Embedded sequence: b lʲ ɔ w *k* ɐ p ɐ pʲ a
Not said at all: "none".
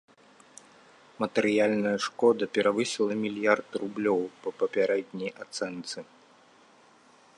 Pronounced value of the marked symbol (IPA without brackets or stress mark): p